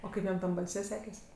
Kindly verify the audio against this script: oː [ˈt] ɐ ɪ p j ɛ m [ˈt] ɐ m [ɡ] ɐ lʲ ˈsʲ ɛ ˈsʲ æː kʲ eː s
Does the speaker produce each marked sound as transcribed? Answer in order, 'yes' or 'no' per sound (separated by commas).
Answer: no, yes, no